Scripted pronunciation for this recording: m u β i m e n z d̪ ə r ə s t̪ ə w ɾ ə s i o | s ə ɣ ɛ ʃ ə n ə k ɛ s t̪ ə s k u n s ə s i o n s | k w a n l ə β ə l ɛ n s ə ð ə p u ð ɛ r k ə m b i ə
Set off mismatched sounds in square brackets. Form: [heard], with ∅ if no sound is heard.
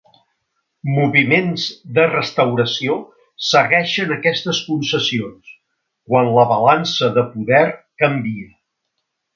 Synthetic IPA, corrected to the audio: m u β i m e n z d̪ ə r ə s t̪ ə w ɾ ə s i o | s ə ɣ ɛ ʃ ə n ə k ɛ s t̪ ə s k u n s ə s i o n s | k w a n l ə β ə l [a] n s ə ð ə p u ð ɛ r k ə m b i ə